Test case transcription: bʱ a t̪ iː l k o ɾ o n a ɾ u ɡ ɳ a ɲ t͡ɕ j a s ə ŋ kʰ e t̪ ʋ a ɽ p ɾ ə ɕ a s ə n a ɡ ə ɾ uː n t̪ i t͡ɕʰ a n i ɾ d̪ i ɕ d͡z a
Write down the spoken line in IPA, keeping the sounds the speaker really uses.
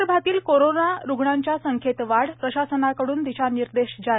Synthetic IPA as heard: bʱ a t̪ iː l k o ɾ o n a ɾ u ɡ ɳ a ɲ t͡ɕ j a s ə ŋ kʰ e t̪ ʋ a ɽ p ɾ ə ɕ a s ə n a k ə ɽ uː n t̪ i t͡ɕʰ a n i ɾ d̪ e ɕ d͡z a